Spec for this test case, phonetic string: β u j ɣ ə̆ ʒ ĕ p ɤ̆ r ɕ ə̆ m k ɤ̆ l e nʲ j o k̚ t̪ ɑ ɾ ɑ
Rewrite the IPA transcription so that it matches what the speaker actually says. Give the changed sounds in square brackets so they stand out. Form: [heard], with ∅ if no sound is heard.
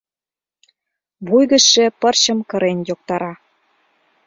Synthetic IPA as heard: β u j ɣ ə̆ [ʃ] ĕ p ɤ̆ r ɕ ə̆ m k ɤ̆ [ɾ] e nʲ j o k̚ t̪ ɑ ɾ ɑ